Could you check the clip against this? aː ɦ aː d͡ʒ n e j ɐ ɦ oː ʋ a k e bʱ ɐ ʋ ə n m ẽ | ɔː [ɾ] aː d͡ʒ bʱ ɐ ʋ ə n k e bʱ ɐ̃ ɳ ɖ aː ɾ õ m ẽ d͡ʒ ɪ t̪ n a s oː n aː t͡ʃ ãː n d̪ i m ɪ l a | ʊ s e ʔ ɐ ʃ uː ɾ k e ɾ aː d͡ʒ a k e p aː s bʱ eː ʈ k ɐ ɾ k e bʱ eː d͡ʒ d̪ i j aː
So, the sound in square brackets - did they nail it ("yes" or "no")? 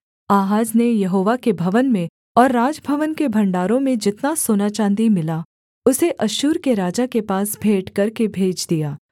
no